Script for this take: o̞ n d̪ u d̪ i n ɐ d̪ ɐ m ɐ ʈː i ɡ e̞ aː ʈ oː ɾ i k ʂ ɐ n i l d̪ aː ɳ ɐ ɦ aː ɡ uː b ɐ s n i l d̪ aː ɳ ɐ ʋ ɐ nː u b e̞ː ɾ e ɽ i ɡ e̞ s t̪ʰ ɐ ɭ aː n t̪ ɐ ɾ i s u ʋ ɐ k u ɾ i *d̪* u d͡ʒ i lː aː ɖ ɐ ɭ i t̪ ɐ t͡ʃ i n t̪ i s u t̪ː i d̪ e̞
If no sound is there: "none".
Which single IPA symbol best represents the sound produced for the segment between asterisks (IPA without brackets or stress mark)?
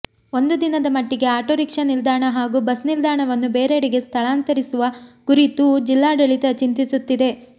t̪